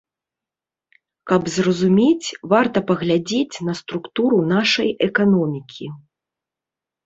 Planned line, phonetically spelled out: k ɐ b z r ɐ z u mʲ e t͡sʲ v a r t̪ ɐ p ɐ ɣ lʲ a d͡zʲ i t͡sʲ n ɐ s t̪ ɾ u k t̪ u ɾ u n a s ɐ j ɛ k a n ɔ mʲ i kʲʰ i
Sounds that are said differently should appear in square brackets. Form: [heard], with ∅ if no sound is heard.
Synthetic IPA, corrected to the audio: k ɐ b z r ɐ z u mʲ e t͡sʲ v a r t̪ ɐ p ɐ ɣ lʲ a d͡zʲ [e] t͡sʲ n ɐ s t̪ ɾ u k t̪ u ɾ u n a [ʂ] ɐ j ɛ k a n ɔ mʲ i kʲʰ i